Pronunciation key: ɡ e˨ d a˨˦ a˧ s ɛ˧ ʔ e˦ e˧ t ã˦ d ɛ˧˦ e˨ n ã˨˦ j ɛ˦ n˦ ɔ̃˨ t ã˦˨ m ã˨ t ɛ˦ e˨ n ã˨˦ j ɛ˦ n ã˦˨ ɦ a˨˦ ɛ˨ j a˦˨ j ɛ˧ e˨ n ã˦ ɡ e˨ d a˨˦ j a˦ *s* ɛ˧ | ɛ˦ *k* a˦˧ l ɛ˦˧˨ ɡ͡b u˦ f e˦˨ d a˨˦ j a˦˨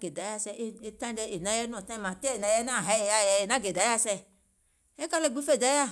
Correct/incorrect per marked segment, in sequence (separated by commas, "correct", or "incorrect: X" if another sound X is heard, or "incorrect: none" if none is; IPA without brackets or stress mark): correct, correct